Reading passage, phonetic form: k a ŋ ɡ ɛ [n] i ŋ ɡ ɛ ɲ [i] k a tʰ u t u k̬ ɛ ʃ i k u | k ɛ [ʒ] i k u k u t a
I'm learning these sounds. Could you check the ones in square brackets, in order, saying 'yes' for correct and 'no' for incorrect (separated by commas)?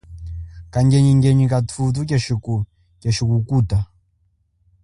no, yes, no